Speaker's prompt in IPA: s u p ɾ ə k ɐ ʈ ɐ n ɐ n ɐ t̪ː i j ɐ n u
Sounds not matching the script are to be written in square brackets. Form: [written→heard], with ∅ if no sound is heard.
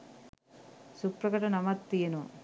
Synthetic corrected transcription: s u p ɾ [ə→ɐ] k ɐ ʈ ɐ n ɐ [n→m] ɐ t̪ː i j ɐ n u

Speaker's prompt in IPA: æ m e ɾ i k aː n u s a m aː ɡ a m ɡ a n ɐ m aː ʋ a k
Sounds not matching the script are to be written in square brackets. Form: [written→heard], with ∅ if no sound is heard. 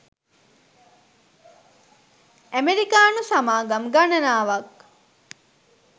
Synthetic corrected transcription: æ m e ɾ i k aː n u s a m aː ɡ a m ɡ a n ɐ [m→n] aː ʋ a k

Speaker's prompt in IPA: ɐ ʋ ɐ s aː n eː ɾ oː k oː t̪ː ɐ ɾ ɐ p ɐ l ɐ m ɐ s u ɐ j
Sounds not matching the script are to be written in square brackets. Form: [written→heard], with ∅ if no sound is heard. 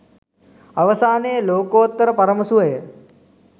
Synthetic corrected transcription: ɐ ʋ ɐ s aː n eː [ɾ→l] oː k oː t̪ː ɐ ɾ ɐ p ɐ [l→ɾ] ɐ m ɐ s u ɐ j

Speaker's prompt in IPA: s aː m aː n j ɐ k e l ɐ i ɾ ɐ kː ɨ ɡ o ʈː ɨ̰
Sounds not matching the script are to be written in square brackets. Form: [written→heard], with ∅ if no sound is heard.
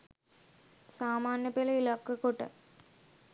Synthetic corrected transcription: s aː m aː n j ɐ [k→p] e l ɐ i [ɾ→l] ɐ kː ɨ [ɡ→k] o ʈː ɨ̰

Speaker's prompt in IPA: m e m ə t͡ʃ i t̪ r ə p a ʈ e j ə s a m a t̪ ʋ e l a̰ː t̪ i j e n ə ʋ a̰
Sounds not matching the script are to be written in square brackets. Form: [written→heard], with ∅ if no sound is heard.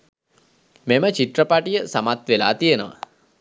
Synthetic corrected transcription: m e m ə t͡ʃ i t̪ r ə p a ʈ [e→i] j ə s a m a t̪ ʋ e l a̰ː t̪ i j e n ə ʋ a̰

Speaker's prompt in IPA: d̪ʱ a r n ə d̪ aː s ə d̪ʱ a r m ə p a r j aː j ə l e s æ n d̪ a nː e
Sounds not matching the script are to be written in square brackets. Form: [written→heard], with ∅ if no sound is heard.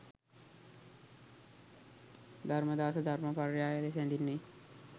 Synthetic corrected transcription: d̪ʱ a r [n→m] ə d̪ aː s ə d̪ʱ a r m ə p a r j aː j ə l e s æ n d̪ [a→i] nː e

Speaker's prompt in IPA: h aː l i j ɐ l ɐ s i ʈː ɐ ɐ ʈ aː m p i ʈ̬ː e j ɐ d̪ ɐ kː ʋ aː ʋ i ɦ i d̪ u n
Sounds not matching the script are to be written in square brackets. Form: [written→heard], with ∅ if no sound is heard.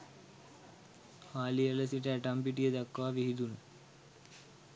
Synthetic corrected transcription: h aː l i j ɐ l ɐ s i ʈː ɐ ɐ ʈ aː m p i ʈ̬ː [e→i] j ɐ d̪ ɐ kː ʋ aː ʋ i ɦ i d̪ u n

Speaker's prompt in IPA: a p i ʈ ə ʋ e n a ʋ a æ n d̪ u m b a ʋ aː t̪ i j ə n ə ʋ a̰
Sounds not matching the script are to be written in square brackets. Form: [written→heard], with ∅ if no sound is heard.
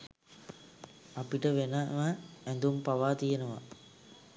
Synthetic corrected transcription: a p i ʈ ə ʋ e n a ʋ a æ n d̪ u m [b→p] a ʋ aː t̪ i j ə n ə ʋ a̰

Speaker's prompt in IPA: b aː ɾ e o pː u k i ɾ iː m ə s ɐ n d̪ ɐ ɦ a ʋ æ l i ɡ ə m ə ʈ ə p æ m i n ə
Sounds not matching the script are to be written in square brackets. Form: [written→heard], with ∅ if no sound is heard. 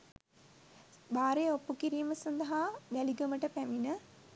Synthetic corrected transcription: b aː ɾ e o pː u k i ɾ iː m ə s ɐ n d̪ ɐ ɦ a ʋ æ l i ɡ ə m ə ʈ ə p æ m i n ə

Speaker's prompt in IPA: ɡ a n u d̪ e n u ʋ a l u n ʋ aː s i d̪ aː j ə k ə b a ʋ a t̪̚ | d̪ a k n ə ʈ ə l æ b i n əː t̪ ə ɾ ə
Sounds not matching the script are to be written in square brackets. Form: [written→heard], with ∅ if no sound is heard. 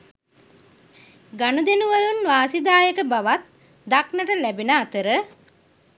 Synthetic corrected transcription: ɡ a n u d̪ e n u ʋ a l u n ʋ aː s i d̪ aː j ə k ə b a ʋ a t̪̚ | d̪ a k n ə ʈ ə l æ b i n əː t̪ ə ɾ ə

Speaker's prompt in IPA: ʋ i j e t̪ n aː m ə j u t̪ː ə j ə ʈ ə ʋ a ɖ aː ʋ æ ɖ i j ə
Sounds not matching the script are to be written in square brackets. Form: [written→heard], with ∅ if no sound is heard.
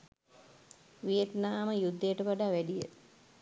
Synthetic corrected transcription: ʋ i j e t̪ n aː m ə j u [t̪ː→d̪ː] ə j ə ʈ ə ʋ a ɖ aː ʋ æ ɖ i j ə

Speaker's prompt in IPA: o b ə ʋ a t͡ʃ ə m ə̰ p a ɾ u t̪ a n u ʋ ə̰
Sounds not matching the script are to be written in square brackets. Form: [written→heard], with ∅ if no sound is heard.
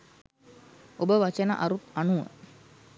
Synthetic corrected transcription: o b ə ʋ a t͡ʃ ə [m→n] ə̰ [p→ʔ] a ɾ u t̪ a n u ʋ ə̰

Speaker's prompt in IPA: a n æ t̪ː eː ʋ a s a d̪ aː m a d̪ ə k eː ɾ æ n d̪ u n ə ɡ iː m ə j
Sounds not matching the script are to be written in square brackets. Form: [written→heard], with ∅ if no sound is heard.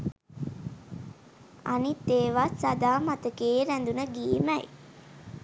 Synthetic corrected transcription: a n [æ→i] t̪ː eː ʋ a s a d̪ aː m a [d̪→t̪] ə k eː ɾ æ n d̪ u n ə ɡ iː m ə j

